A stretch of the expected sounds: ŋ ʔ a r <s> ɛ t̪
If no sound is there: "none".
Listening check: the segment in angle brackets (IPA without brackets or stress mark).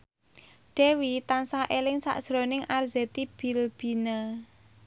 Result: z